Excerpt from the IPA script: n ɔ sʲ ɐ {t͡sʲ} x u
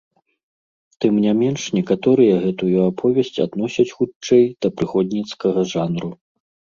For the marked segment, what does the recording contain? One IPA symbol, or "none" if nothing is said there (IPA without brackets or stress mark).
t͡sʲ